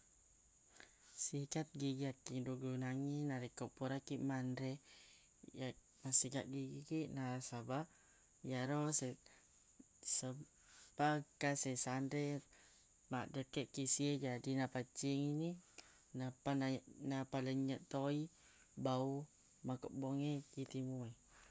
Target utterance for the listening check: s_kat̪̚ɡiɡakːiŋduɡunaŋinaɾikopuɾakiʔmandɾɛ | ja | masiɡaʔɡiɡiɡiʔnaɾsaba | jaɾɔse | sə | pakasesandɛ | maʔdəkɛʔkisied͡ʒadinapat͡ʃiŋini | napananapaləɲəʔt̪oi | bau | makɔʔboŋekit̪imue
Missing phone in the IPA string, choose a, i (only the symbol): i